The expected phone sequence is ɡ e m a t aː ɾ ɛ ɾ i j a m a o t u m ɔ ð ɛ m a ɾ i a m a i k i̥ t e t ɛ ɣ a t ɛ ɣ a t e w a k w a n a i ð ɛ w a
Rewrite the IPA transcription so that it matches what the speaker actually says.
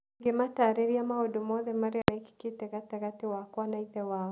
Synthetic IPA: ɡ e m a t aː ɾ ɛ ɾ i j a m a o d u m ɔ ð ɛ m a ɾ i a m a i k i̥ k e t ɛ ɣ a t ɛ ɣ a t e w a k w a n a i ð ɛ w a